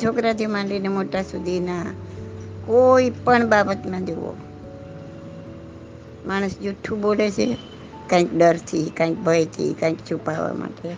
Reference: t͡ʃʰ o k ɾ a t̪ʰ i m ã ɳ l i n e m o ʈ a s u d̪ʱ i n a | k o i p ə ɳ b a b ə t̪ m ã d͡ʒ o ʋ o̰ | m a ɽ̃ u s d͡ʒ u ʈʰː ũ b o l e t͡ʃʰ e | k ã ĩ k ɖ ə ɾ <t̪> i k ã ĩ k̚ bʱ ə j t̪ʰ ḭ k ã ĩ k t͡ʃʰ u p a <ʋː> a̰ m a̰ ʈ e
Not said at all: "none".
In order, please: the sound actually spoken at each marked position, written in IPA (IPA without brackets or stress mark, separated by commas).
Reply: t̪ʰ, ʋ